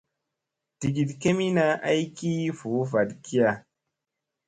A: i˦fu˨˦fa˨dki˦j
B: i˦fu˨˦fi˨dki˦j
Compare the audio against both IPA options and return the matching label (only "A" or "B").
A